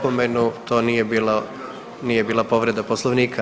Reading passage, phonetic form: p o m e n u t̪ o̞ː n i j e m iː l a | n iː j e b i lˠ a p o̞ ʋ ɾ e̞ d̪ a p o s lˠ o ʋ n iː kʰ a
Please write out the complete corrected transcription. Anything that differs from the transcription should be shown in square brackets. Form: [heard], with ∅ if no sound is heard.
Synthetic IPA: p o m e n u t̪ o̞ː n i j e [b] iː l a | n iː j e b [iː] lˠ a p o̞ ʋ ɾ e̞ d̪ a p o s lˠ o ʋ n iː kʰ a